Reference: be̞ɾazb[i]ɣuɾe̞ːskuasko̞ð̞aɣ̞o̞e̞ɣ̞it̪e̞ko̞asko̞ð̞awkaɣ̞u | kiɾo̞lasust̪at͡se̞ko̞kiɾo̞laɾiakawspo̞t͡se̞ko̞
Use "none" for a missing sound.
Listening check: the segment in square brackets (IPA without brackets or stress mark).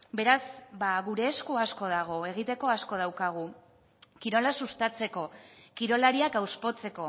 a